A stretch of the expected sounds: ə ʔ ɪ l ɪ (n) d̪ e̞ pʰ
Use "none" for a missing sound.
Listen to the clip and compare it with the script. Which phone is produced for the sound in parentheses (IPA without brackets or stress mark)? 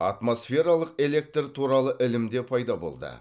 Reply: m